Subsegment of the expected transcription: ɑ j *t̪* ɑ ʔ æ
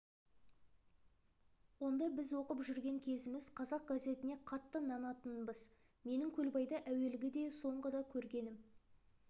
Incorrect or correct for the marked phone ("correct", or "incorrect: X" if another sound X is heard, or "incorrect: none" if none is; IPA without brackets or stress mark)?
incorrect: d̪